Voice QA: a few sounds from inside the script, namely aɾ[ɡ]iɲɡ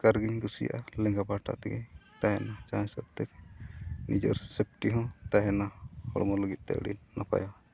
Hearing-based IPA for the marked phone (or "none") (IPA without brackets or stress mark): ɡ